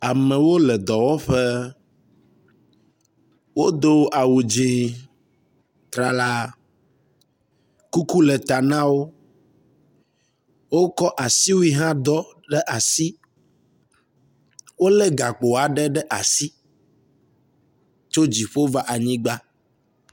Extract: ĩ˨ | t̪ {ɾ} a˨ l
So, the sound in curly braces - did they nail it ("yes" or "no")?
yes